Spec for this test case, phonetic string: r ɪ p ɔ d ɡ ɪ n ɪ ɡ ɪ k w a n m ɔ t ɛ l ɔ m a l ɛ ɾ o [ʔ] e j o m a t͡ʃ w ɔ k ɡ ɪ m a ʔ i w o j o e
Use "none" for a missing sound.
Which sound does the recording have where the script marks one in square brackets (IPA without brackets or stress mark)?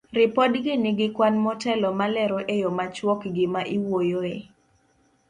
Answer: ʔ